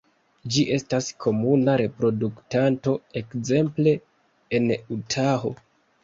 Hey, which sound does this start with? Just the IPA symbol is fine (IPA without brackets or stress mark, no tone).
d͡ʒ